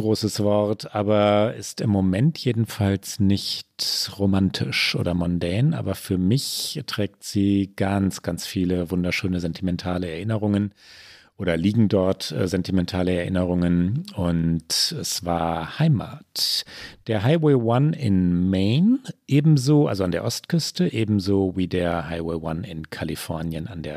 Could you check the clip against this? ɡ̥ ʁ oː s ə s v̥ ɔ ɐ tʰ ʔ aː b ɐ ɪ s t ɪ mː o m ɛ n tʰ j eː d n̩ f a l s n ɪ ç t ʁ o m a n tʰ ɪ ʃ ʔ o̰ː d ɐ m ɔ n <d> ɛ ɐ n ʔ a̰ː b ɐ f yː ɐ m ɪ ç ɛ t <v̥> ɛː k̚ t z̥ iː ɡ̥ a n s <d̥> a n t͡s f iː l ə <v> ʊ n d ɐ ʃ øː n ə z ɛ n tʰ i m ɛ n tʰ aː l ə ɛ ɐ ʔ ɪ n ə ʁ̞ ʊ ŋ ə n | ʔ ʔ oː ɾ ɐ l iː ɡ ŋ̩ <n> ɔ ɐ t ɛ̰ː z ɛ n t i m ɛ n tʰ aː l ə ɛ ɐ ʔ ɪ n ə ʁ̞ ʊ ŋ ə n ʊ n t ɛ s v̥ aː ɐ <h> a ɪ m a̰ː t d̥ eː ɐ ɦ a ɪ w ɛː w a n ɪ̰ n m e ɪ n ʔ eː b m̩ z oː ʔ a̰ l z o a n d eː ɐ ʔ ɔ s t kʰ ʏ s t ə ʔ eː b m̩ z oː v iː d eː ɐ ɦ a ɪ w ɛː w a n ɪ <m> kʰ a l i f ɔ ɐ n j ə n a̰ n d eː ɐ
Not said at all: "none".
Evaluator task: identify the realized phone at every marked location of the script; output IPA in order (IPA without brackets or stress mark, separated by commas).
d, ʁ̥, ɡ̥, v, d, h, n